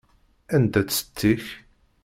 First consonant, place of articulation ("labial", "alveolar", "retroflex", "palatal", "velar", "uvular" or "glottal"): alveolar